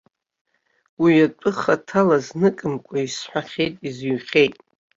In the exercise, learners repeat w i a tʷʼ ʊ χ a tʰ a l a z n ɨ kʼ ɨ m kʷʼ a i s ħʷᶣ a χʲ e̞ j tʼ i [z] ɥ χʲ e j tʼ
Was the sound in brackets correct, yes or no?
yes